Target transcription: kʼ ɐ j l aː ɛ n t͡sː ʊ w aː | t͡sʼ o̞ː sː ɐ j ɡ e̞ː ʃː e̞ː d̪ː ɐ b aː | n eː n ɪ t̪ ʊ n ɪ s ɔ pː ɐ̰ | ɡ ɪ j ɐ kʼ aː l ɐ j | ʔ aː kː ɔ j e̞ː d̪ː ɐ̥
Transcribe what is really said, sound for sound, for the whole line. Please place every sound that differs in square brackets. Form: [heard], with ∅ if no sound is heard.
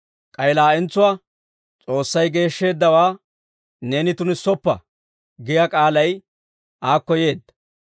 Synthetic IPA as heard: kʼ ɐ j l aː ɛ n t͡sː ʊ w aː | t͡sʼ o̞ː sː ɐ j ɡ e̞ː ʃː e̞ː d̪ː ɐ [w] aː | n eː n ɪ t̪ ʊ n ɪ s ɔ pː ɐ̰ | ɡ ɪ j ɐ kʼ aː l ɐ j | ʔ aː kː ɔ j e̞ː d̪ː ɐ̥